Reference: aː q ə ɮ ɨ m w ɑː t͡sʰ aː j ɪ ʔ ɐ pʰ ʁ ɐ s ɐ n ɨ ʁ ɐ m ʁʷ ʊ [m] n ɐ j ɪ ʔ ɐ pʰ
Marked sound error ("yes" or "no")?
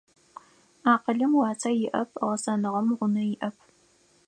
yes